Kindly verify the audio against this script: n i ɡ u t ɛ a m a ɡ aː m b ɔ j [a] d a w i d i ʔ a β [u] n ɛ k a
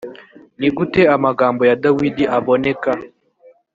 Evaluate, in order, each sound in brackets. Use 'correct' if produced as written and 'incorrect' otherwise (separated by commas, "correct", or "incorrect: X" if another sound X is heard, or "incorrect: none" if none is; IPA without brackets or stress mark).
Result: correct, incorrect: ɔ